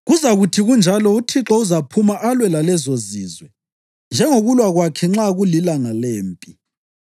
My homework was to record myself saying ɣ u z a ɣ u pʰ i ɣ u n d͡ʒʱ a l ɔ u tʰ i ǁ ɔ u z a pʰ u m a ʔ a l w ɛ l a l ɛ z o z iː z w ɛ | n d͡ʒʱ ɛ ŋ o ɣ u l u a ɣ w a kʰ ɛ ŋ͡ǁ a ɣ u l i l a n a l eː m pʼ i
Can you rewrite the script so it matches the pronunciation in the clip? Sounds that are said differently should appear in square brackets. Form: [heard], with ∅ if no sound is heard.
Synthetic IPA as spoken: ɣ u z a ɣ u [tʰ] i ɣ u n d͡ʒʱ a l ɔ u tʰ i ǁ ɔ u z a pʰ u m a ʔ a l w ɛ l a l ɛ z o z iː z w ɛ | n d͡ʒʱ ɛ ŋ o ɣ u l [w] a ɣ w a kʰ ɛ ŋ͡ǁ a ɣ u l i l a [ŋ] a l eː m pʼ i